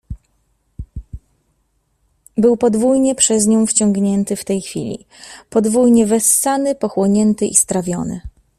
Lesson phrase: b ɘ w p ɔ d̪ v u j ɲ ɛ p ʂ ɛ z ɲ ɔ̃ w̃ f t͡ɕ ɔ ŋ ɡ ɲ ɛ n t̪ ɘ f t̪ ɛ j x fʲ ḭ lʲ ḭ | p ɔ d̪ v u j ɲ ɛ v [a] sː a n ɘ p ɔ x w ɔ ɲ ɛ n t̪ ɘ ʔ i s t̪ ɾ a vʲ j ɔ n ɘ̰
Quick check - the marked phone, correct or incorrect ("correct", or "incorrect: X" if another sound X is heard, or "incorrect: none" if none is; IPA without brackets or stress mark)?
incorrect: ɛ